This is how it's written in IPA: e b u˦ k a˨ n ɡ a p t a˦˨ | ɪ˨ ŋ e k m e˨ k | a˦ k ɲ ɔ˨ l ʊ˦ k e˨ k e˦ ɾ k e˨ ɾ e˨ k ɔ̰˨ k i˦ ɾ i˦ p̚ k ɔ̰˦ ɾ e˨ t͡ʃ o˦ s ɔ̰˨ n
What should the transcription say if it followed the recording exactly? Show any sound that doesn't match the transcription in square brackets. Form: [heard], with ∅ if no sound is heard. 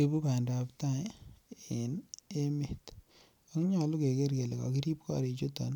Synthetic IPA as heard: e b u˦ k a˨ n [d] a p t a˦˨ | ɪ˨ [n] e [∅] m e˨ [t] | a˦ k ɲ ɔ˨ l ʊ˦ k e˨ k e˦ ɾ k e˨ [l] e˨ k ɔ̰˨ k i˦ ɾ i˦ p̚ k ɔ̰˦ ɾ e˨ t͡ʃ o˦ [t] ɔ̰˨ n

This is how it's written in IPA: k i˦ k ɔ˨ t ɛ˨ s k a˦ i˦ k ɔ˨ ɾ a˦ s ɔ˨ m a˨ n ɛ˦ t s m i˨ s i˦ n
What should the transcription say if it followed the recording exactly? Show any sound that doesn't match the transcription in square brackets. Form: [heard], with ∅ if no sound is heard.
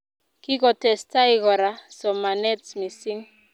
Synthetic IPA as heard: k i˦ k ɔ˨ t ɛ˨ s [t] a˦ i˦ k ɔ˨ ɾ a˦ s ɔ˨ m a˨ n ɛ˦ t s m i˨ s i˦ [ŋ]

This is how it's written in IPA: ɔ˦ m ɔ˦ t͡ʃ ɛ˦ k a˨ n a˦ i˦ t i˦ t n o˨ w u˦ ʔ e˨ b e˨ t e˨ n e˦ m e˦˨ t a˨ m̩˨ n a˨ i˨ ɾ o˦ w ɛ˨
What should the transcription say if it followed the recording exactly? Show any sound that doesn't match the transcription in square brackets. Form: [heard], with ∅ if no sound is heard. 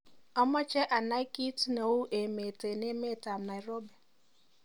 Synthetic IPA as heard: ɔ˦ m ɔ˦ t͡ʃ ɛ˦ [ʔ] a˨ n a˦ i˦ [k] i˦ t n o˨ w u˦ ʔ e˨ [m] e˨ t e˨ n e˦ m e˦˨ t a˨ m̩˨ n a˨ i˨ ɾ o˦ [b] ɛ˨

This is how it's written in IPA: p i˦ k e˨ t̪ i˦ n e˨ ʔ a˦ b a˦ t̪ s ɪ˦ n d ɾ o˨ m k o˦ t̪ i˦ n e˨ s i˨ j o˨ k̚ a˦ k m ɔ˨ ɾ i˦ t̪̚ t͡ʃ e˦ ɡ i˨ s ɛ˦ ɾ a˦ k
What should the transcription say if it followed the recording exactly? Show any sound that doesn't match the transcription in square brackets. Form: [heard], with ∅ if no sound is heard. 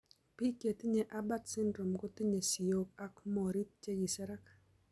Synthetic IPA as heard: p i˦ k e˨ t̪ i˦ [ɲ] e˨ ʔ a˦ b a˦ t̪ s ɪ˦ n d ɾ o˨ m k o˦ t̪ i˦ [ɲ] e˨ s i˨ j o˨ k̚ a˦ k m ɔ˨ ɾ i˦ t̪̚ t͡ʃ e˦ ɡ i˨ s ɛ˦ ɾ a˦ k

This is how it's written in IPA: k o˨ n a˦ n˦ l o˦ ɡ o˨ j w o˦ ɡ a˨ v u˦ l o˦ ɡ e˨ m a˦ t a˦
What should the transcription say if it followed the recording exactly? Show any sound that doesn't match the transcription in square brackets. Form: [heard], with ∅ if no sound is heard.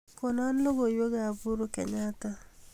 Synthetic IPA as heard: k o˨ n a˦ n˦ l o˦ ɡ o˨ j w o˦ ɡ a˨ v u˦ [ɾ] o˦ [k] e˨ [ɲ] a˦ t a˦

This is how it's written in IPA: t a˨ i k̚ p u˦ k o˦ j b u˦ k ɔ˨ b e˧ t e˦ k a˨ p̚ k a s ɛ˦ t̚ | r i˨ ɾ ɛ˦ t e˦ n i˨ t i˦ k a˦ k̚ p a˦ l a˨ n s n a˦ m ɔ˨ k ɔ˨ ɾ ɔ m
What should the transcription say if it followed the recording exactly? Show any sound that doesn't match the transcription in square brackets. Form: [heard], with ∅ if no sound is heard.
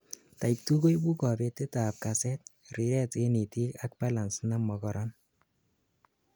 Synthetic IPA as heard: t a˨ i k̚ [t] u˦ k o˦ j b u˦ k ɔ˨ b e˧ t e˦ [t] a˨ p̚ k a s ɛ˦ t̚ | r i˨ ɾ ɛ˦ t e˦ n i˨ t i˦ k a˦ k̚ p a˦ l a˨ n s n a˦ m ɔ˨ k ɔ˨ ɾ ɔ [n]

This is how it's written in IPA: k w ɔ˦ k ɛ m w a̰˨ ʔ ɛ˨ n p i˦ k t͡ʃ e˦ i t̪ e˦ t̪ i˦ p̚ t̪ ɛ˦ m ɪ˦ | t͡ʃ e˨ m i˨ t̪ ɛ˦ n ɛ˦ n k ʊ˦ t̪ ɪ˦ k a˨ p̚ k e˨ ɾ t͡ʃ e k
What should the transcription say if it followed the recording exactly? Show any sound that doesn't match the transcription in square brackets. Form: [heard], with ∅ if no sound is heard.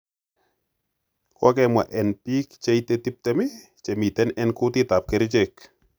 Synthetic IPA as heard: k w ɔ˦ k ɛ m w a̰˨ ʔ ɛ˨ n p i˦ k t͡ʃ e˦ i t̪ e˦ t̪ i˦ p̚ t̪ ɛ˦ m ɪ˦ | t͡ʃ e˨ m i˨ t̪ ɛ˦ n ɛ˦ n k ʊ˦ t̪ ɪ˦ [t] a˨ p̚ k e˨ ɾ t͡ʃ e k

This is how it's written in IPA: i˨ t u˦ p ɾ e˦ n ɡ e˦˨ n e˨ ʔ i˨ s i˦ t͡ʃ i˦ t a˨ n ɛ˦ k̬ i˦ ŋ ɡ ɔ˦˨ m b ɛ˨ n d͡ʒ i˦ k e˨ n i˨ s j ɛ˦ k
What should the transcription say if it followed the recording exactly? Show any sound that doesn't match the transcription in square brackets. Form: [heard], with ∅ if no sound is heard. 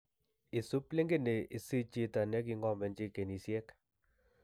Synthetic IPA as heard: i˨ [s] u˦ p [l] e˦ [ŋ] ɡ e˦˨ n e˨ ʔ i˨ s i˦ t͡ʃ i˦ t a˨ n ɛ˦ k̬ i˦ ŋ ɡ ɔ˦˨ m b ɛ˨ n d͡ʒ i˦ k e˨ n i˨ s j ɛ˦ k

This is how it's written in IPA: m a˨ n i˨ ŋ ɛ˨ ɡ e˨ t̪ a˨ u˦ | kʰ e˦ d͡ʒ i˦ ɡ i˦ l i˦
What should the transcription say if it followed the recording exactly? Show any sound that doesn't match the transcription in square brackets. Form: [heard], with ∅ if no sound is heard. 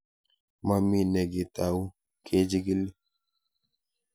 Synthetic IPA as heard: m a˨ [m] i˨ [n] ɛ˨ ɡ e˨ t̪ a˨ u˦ | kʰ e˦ d͡ʒ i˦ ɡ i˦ l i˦

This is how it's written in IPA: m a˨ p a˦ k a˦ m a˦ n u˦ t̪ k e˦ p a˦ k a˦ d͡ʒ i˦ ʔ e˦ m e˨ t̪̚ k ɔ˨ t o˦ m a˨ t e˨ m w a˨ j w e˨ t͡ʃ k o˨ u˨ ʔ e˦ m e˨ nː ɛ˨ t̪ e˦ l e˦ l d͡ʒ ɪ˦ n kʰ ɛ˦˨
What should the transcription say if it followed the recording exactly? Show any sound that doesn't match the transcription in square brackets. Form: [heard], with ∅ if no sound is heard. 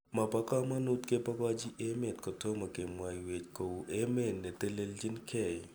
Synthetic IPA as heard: m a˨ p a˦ k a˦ m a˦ n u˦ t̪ k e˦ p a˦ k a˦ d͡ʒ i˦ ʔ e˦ m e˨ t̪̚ k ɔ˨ t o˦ m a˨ [k] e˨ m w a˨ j w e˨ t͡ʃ k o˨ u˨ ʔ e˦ m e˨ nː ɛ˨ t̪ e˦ l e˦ l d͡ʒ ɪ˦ n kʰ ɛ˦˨

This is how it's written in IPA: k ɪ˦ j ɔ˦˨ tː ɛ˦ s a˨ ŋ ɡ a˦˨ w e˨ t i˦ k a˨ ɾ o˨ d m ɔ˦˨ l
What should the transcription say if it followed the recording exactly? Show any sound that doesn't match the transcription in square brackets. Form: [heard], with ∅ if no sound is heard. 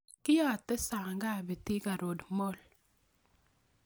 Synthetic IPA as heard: k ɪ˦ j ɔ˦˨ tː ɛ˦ s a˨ ŋ ɡ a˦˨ [b] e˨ t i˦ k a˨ ɾ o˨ d m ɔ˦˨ l

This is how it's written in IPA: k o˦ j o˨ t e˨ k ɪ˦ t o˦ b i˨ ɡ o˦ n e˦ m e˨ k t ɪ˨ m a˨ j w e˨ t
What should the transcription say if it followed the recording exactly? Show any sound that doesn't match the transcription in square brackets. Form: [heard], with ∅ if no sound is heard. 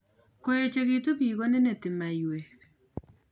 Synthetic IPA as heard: k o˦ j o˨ [t͡ʃ] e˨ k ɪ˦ t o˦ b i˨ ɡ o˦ n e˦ [n] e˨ [∅] t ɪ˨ m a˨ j w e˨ [k]

